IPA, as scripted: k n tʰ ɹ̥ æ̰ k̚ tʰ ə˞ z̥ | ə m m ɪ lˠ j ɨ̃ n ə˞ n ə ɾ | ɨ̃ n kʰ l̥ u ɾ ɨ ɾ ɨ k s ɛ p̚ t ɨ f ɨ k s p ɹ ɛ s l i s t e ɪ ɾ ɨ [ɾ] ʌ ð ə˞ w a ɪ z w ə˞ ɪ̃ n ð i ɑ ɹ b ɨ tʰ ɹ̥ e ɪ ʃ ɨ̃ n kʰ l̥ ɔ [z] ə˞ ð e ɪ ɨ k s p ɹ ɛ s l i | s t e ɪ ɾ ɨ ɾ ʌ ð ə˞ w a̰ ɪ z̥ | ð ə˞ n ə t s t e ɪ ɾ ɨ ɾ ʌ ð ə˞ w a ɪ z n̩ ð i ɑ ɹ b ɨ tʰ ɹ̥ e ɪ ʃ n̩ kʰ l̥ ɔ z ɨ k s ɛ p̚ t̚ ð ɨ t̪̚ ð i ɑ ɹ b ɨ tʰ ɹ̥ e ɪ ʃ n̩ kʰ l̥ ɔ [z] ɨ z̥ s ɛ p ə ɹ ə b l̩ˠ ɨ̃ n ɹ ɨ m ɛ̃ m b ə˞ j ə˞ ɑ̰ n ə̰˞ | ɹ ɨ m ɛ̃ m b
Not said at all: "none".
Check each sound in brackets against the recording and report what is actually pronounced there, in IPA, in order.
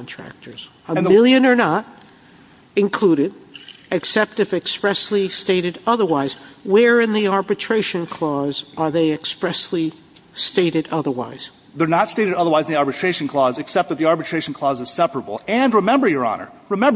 ɾ, z, z

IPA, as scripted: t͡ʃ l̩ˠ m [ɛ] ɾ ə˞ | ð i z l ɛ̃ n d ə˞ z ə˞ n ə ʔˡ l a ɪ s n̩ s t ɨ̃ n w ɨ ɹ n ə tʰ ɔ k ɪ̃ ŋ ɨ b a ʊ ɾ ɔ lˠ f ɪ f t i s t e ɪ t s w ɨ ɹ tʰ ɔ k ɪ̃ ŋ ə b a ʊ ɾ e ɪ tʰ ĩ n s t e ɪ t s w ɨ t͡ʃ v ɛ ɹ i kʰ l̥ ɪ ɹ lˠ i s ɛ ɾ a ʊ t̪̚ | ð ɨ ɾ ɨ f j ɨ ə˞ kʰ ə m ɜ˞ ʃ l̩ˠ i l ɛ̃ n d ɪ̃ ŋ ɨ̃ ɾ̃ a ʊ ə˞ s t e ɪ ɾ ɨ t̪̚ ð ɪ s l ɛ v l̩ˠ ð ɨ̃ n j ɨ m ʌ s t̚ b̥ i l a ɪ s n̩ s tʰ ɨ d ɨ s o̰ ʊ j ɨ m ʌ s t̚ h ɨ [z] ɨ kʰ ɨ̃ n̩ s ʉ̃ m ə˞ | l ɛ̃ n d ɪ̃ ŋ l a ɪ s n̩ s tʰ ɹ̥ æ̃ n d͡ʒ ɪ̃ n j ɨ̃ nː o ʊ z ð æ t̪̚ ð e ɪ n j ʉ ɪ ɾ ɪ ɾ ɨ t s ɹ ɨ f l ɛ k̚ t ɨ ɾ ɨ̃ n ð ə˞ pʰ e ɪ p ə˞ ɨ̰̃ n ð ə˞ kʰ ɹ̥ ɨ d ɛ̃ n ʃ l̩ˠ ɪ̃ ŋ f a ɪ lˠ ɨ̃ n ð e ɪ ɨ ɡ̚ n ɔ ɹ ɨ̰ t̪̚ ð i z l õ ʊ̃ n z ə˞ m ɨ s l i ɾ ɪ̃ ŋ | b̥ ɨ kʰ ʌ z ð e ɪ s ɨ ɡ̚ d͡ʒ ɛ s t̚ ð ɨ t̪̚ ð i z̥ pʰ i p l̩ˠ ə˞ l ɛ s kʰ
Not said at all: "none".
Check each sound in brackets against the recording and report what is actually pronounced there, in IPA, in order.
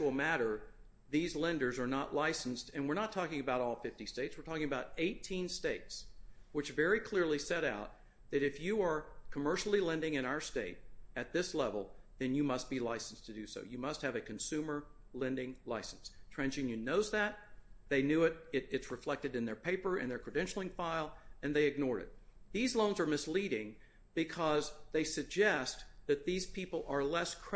æ, v

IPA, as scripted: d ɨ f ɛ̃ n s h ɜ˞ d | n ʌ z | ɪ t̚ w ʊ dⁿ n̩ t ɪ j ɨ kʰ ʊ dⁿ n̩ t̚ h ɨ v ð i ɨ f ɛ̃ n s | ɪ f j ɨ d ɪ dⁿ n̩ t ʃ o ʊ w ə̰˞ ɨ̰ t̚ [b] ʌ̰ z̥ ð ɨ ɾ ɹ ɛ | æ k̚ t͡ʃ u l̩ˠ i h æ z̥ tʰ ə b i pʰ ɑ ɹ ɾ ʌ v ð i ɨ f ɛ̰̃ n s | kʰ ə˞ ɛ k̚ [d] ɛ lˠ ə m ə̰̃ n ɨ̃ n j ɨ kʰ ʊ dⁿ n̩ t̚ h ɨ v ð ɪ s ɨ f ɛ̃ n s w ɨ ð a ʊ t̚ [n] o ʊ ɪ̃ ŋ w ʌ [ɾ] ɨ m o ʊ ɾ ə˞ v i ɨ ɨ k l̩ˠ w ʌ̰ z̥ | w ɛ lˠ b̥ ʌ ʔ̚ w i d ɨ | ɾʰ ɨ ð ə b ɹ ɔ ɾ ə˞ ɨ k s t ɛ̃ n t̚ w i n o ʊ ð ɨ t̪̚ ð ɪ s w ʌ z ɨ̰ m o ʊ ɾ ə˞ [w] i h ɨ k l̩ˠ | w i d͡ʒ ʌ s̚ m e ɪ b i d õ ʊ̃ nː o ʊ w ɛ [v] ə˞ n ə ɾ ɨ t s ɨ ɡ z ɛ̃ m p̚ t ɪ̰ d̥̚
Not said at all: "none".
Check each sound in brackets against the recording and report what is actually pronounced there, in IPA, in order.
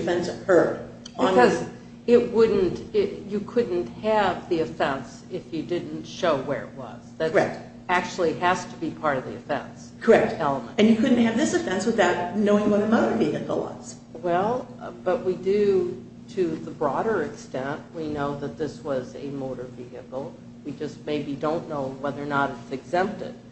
w, t, n, ɾ, v, ð

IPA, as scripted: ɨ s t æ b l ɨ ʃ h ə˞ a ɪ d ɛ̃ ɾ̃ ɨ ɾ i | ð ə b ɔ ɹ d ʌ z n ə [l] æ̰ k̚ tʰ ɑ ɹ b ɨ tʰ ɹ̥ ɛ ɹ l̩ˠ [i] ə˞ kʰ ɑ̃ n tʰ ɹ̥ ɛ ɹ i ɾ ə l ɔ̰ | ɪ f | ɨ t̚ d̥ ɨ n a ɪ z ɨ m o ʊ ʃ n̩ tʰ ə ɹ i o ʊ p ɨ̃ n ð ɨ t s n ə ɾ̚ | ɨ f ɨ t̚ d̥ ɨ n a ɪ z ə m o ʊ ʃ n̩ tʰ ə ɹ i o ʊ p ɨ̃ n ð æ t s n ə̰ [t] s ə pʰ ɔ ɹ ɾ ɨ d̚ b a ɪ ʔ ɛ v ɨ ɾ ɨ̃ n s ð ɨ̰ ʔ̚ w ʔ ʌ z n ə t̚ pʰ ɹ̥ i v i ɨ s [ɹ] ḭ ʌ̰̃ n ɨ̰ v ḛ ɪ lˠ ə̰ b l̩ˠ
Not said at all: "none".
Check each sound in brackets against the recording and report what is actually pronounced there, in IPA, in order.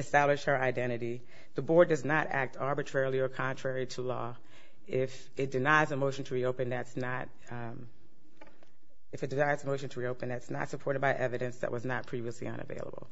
ɾ, i, t, l

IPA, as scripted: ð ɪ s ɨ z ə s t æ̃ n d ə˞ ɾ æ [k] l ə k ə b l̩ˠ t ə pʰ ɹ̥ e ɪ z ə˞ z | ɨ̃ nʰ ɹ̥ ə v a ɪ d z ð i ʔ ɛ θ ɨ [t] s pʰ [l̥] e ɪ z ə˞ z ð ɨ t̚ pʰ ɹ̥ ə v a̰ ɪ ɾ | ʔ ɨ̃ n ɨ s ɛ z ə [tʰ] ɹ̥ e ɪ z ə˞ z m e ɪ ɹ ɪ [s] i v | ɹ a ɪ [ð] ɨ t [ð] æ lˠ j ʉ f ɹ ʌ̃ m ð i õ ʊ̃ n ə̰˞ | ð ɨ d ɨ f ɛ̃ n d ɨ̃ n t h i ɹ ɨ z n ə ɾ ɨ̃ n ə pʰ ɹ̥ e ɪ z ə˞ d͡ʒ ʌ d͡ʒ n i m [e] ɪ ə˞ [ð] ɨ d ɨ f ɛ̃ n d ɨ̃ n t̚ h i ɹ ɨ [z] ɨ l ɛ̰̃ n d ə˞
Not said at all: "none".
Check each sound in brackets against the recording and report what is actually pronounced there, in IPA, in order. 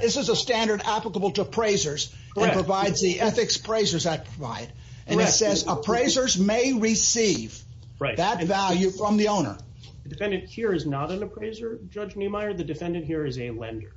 p, k, ɹ̥, pʰ, s, ð, v, a, ð, z

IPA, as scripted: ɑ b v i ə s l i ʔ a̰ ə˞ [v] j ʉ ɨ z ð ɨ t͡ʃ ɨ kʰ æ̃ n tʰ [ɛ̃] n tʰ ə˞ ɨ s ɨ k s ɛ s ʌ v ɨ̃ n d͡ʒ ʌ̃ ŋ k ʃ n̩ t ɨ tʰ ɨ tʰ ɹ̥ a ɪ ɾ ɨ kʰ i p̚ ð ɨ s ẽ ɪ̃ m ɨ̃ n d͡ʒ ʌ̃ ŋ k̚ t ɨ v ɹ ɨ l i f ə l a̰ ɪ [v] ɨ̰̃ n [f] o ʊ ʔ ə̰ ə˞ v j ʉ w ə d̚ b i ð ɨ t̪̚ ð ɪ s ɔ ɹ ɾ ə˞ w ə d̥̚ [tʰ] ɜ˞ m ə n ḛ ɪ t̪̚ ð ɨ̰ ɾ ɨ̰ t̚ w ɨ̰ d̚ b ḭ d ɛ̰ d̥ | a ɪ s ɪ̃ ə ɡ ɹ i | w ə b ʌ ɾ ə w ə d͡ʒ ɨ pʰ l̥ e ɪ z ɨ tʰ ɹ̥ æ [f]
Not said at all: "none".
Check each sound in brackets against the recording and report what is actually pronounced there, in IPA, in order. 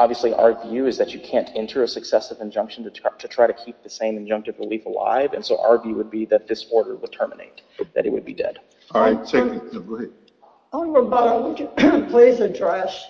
v, ɛ̃, v, s, tʰ, ʃ

